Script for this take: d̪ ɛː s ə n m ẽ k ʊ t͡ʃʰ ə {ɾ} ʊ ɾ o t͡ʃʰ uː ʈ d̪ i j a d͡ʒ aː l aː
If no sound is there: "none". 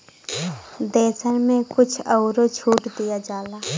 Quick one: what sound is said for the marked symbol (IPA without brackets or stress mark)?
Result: none